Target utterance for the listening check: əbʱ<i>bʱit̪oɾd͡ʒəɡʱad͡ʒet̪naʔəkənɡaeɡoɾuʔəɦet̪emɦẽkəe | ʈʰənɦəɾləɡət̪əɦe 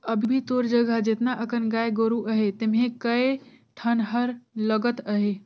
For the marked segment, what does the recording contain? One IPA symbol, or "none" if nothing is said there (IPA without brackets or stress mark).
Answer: i